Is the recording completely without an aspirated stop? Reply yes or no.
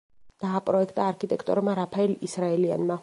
no